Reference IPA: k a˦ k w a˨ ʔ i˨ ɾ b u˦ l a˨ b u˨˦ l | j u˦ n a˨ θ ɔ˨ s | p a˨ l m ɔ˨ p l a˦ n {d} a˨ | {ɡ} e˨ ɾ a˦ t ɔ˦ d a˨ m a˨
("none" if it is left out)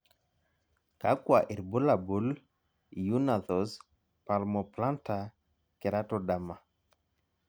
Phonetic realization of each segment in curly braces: t, k

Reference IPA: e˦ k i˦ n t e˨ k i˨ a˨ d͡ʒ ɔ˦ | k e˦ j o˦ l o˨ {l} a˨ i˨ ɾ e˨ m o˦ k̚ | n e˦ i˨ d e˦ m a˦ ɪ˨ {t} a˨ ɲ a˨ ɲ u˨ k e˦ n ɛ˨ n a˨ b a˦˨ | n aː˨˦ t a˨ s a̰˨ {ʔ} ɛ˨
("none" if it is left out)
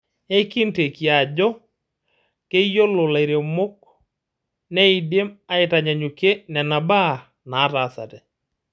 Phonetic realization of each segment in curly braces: l, t, t

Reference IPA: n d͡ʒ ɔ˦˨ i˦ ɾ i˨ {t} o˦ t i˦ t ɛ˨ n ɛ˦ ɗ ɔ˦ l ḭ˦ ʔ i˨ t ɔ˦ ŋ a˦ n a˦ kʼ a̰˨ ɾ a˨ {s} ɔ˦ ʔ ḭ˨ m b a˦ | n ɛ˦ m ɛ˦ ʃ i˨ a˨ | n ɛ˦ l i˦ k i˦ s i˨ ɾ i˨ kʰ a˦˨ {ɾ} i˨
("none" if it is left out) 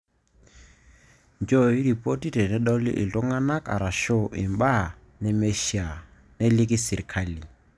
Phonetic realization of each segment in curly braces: p, ʃ, l

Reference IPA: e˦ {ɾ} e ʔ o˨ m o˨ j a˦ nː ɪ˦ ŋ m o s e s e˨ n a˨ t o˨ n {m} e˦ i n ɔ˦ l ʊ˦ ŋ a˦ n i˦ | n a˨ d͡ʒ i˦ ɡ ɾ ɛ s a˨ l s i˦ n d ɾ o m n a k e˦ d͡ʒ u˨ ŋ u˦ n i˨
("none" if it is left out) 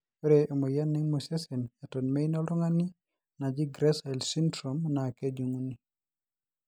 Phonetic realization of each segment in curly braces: ɾ, m

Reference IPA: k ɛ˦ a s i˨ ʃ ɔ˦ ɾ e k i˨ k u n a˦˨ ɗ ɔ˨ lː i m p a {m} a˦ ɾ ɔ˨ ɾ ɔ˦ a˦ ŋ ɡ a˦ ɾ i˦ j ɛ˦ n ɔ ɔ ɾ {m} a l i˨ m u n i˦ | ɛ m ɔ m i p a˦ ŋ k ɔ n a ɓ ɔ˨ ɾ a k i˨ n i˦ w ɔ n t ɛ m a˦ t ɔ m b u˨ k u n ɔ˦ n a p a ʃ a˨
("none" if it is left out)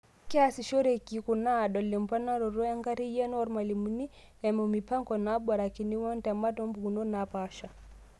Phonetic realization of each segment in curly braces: n, m

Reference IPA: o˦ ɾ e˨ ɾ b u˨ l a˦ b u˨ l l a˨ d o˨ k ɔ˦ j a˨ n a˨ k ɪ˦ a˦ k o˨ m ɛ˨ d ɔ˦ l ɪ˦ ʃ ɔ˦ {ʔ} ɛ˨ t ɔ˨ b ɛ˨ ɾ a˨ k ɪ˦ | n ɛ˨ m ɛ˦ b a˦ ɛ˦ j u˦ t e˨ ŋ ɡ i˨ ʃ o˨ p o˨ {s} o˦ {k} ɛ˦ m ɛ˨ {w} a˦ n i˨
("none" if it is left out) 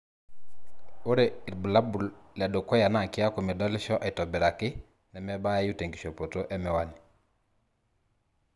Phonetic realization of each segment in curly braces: ʔ, t, ʔ, w

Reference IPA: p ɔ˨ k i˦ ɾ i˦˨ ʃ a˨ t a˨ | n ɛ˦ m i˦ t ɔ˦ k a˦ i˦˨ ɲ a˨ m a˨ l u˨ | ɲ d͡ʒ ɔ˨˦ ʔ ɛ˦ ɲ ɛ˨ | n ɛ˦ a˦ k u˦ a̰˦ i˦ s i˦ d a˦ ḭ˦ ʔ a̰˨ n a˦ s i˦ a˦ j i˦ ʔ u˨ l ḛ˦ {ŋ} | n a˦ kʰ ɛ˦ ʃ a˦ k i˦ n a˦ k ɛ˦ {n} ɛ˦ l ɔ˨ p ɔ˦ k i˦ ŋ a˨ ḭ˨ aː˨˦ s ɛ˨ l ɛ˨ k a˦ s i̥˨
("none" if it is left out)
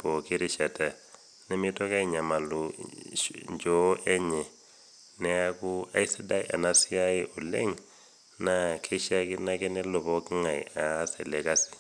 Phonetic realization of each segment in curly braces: ŋ, n

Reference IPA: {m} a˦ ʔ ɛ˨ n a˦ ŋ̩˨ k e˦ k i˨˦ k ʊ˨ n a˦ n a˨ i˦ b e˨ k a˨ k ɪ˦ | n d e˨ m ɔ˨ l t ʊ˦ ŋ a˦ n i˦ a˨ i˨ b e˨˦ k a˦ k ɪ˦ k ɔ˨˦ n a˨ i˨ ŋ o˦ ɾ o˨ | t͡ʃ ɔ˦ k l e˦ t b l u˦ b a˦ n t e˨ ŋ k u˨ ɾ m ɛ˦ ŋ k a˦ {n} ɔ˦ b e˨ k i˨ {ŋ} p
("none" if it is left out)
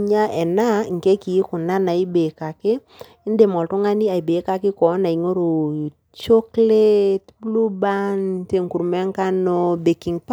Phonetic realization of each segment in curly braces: ɲ, n, ŋ

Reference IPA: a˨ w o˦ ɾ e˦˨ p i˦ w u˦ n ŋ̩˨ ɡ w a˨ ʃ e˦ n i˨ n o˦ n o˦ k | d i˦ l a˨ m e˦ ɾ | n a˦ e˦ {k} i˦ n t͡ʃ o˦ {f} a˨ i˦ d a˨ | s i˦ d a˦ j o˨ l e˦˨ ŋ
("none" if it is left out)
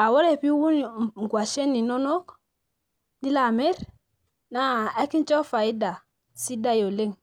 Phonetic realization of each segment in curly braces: k, f

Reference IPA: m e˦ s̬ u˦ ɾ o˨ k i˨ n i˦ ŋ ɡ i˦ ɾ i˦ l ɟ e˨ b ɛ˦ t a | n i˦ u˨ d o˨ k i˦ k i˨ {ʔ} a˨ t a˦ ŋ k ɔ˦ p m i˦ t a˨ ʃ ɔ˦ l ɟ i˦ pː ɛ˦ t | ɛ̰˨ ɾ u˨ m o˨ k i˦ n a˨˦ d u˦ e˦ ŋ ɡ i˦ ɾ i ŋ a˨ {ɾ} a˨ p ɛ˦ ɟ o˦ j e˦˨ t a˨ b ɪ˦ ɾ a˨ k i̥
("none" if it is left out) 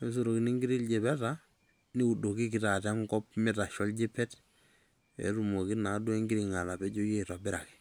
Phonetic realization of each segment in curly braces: t, l

